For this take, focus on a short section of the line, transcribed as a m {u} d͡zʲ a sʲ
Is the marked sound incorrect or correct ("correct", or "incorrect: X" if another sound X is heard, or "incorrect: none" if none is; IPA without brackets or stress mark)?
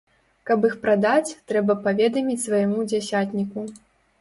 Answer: correct